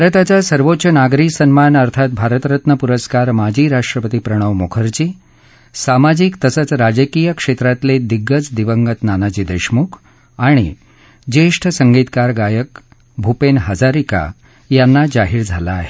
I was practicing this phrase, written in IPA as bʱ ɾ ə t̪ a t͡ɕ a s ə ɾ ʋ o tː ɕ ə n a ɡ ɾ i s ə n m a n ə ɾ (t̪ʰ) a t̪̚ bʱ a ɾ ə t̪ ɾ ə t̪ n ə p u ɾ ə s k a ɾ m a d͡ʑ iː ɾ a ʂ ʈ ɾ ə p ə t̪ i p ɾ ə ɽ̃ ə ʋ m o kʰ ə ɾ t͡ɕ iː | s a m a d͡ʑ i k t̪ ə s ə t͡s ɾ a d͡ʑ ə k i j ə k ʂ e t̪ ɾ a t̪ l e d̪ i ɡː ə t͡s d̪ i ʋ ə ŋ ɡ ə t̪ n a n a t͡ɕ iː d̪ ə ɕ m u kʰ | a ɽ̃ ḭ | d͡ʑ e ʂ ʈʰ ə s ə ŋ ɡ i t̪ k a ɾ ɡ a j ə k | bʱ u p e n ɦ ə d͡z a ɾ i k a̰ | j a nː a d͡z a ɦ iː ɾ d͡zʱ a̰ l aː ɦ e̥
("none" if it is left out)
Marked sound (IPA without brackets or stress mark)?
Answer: t̪ʰ